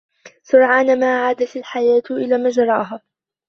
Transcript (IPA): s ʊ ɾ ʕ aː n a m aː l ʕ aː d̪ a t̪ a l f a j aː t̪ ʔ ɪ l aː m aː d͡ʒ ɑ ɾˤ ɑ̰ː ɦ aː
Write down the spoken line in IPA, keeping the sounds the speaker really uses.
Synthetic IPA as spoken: s ʊ ɾ ʕ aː n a m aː ʕ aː d̪ a t̪ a l ħ a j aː t̪ ʔ ɪ l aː m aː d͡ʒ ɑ ɾˤ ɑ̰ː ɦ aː

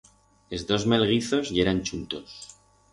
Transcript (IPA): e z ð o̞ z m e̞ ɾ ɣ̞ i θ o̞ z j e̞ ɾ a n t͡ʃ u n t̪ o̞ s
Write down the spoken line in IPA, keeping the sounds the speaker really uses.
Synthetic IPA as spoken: e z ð o̞ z m e̞ l ɣ̞ i θ o̞ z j e̞ ɾ a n t͡ʃ u n t̪ o̞ s

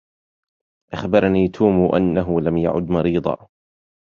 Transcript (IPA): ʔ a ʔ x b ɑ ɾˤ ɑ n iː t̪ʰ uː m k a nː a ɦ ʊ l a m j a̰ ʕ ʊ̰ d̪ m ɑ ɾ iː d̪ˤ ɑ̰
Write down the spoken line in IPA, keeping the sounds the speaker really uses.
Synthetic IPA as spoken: ʔ a x b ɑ ɾˤ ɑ n iː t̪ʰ uː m ʔ a nː a ɦ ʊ l a m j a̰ ʕ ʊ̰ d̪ m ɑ ɾ iː d̪ˤ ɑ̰

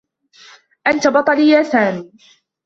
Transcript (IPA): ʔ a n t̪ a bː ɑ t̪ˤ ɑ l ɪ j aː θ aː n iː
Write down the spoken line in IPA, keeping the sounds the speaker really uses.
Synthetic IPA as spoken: ʔ a n t̪ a b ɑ t̪ˤ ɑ l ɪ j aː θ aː m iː

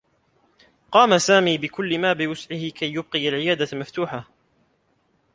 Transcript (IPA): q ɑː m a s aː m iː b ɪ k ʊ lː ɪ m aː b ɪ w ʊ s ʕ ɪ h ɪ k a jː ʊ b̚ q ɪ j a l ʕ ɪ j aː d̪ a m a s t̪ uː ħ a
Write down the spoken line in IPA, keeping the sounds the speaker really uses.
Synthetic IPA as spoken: q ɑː m a s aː m iː b ɪ k ʊ lː ɪ m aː b ɪ w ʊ s ʕ ɪ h ɪ k a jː ʊ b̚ q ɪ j a l ʕ ɪ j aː d̪ a m a f t̪ uː ħ a

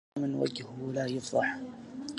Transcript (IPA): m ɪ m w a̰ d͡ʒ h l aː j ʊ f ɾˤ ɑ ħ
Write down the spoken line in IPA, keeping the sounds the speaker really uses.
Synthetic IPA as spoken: m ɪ n w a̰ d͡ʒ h l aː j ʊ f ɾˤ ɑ ħ

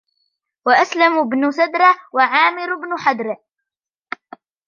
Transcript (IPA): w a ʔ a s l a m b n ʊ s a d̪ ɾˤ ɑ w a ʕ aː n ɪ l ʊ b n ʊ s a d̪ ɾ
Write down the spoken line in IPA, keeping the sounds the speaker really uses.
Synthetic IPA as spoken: w a ʔ a s l a m b n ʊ s a d̪ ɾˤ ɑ w a ʕ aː m ɪ ɾ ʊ b n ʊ ħ a d̪ ɾ

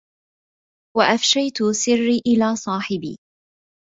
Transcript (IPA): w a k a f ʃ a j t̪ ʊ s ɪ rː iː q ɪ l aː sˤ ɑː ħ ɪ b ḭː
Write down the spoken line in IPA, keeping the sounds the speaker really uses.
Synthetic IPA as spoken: w a ʔ a f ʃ a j t̪ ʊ s ɪ rː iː ʔ ɪ l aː sˤ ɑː ħ ɪ b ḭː

